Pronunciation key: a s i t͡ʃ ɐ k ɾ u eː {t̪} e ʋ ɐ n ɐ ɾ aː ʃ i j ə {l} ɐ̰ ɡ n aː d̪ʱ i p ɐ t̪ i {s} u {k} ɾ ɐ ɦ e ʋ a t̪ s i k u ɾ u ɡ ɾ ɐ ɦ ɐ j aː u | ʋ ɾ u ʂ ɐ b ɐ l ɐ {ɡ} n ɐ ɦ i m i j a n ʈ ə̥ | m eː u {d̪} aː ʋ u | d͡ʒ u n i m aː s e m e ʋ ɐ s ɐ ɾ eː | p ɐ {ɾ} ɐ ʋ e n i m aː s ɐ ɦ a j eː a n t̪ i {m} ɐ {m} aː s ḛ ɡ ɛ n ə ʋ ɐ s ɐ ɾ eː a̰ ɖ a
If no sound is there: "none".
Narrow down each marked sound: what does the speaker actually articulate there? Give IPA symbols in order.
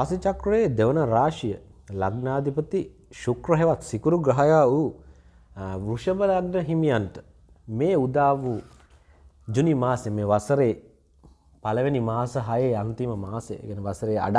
d̪, l, ʃ, k, ɡ, d̪, l, m, m

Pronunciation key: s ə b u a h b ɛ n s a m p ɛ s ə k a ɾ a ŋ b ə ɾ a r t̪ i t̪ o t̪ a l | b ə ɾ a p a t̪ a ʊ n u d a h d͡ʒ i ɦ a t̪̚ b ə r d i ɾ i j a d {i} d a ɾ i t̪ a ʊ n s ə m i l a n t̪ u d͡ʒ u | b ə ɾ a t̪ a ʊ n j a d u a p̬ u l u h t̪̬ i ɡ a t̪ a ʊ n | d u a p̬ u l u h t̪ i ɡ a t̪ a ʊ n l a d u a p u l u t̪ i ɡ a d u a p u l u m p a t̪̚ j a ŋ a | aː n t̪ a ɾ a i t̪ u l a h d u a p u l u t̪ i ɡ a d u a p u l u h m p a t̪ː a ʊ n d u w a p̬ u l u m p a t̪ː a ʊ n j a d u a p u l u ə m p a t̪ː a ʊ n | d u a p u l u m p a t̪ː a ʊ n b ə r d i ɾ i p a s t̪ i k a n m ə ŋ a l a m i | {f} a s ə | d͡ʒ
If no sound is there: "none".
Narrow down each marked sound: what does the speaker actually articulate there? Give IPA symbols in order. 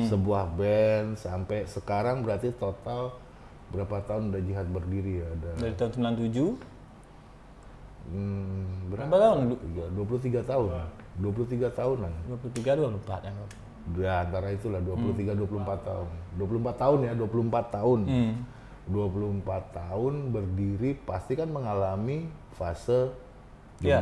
a, f

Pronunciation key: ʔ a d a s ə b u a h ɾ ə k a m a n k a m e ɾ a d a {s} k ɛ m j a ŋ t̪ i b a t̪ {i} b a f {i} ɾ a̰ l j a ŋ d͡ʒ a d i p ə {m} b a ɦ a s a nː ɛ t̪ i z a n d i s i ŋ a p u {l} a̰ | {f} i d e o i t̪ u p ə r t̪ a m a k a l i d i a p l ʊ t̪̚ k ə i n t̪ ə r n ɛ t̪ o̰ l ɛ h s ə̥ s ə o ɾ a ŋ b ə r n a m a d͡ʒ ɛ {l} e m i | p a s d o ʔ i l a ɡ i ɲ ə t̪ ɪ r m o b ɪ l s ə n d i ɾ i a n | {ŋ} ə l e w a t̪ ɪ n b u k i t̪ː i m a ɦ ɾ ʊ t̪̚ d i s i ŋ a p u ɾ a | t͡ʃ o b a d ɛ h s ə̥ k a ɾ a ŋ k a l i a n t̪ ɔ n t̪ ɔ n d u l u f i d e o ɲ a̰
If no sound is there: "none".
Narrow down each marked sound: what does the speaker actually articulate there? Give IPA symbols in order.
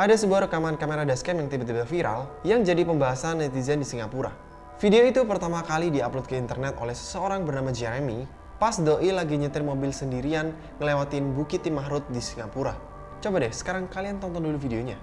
s, i, i, m, ɾ, f, ɾ, ŋ

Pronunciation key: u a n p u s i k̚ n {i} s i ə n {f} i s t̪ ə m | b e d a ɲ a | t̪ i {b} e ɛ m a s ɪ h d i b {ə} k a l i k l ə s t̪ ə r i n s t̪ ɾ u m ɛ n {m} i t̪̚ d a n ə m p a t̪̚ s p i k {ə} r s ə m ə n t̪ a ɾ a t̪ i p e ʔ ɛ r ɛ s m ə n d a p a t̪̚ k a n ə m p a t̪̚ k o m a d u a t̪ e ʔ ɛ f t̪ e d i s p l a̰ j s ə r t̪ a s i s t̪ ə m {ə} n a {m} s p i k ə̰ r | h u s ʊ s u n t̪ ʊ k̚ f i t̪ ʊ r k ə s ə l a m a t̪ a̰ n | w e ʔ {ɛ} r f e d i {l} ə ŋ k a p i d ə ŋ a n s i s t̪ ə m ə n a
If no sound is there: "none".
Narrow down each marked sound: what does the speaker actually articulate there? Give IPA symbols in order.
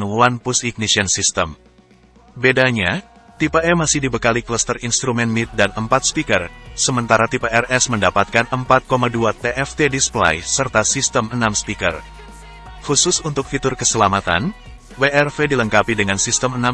i, s, p, ə, m, ə, ə, m, ɛ, l

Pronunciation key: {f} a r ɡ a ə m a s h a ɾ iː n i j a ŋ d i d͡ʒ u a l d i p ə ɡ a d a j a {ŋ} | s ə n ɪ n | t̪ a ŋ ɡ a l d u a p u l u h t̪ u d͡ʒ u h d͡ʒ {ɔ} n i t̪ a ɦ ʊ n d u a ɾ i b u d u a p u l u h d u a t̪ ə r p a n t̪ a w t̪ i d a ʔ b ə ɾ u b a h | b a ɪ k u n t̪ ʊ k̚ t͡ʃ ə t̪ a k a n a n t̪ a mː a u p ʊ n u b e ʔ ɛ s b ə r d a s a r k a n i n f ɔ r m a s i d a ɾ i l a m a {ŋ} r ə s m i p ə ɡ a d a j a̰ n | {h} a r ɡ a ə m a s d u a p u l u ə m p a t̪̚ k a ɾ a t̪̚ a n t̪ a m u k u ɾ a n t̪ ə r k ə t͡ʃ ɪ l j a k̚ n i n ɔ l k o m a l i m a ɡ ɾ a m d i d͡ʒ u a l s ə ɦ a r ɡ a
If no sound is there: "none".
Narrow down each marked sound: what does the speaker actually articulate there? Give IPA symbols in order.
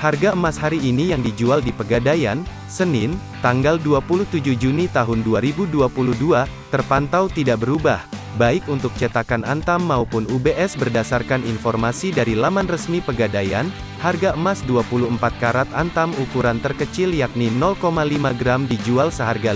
h, n, u, n, h

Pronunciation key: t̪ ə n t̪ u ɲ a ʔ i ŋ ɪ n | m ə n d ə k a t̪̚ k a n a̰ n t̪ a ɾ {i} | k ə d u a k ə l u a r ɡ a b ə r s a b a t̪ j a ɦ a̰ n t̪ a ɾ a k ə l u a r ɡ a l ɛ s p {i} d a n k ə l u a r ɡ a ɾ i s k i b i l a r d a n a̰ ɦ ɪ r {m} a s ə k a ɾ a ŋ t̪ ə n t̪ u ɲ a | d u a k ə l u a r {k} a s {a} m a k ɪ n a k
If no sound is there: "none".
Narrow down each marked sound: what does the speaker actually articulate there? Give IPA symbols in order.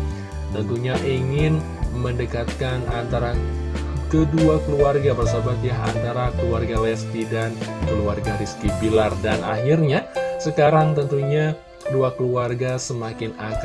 a, i, ɲ, ɡ, ə

